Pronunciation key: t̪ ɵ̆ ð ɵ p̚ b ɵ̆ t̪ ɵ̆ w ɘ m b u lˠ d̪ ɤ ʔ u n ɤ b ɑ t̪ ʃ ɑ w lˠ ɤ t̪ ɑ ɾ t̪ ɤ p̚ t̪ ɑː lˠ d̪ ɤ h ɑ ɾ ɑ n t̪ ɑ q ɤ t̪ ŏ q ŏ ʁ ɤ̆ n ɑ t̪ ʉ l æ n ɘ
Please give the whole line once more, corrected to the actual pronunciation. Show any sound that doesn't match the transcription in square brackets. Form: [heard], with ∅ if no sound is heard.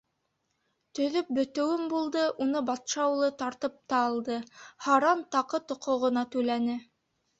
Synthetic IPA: t̪ ɵ̆ ð ɵ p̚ b ɵ̆ t̪ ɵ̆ w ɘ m b u lˠ d̪ ɤ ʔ u n ɤ b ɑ t̪ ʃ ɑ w lˠ ɤ t̪ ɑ ɾ t̪ ɤ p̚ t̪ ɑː lˠ d̪ ɤ h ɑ ɾ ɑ n t̪ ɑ q ɤ t̪ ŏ q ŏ ʁ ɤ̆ n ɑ t̪ ʉ l æ n ɘ